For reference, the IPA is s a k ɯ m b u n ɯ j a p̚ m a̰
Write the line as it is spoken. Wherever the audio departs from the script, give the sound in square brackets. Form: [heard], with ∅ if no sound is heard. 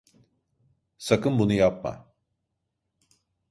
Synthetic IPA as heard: s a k ɯ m b u n [u] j a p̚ m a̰